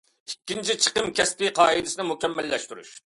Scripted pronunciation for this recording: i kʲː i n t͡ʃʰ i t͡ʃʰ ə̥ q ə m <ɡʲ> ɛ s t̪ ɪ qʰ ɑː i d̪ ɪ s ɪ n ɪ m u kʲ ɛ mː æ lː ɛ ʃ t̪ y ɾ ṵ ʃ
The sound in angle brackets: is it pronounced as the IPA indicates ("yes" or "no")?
no